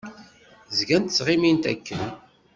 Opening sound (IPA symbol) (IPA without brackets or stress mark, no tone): z